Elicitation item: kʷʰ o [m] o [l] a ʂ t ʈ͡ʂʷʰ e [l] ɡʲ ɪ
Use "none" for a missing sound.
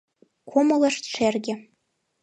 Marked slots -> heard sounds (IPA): m, l, r

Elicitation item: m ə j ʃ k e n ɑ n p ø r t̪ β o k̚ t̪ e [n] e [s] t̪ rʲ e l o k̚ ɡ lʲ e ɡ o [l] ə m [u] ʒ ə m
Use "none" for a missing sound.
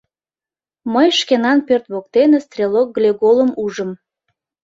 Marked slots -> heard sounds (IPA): n, s, l, u

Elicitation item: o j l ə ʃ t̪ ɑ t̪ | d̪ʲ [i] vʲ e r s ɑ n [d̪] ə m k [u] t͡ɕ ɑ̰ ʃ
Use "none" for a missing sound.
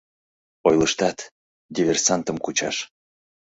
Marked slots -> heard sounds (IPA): i, t̪, u

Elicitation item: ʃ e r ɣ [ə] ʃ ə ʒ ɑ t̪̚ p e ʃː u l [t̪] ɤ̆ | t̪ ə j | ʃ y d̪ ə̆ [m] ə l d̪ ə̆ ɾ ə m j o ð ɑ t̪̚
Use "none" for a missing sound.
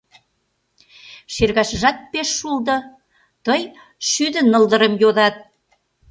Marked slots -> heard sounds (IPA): ɑ, d̪, n

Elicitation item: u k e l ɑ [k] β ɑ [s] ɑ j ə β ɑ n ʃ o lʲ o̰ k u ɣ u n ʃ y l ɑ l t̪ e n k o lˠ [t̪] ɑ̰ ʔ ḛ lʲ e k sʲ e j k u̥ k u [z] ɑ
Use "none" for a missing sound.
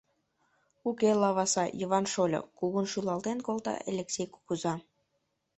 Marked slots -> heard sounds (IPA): none, s, t̪, z

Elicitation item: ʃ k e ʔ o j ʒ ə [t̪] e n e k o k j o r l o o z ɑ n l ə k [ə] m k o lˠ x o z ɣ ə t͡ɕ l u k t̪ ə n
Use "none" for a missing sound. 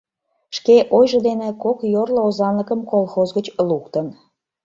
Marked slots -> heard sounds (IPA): d̪, ə

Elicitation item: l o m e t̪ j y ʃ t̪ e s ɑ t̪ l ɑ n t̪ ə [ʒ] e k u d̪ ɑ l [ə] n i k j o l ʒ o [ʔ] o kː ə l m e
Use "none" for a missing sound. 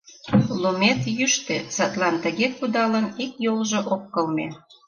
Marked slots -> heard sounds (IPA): ɣ, ə, ʔ

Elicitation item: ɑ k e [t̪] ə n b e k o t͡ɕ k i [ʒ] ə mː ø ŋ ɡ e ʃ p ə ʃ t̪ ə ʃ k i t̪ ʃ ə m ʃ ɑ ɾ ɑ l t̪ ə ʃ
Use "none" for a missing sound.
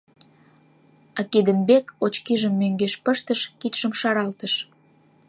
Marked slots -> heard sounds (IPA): d̪, ʒ

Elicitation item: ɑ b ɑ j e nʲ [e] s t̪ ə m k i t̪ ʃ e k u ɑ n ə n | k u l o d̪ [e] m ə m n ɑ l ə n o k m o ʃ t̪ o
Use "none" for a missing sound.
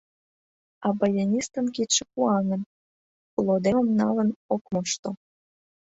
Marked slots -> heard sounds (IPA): i, e

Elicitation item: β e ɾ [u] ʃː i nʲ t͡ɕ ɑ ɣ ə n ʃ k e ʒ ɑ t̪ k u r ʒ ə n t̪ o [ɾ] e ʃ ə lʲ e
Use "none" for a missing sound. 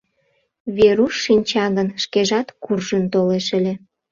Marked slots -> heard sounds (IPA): u, l

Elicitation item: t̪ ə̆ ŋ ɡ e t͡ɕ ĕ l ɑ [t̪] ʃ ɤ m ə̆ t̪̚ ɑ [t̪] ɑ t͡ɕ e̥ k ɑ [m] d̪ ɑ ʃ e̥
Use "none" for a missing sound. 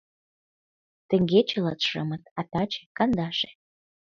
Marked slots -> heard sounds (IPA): t̪, t̪, n

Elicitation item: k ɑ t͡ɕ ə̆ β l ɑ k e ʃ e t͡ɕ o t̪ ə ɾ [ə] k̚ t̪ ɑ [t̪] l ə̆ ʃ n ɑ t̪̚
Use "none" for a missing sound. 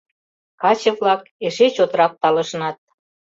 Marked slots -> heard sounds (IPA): ɑ, none

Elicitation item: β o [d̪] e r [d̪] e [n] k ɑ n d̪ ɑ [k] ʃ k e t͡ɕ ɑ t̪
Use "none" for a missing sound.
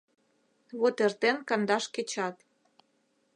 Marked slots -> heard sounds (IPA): t̪, t̪, n, none

